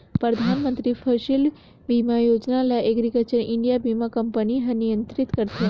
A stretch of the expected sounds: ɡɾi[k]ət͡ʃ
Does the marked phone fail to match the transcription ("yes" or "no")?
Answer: no